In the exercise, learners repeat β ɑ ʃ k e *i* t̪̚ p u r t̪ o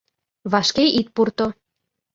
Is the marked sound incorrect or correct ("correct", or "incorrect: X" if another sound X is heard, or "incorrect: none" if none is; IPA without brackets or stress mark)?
correct